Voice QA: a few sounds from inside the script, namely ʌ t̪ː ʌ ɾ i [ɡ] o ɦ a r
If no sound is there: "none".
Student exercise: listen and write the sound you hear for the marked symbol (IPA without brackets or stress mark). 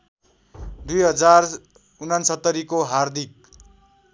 k